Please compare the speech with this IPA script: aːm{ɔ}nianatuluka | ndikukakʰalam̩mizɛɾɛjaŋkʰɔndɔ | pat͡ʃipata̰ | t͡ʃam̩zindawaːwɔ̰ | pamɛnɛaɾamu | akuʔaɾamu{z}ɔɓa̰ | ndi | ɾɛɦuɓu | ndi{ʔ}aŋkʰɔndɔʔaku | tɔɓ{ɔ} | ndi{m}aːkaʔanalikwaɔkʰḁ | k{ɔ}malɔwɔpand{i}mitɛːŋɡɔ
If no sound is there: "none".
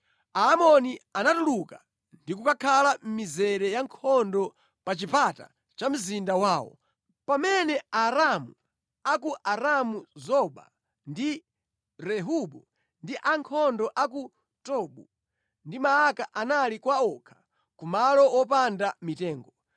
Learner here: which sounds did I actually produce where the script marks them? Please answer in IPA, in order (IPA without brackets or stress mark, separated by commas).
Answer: ɔ, z, ʔ, u, m, u, a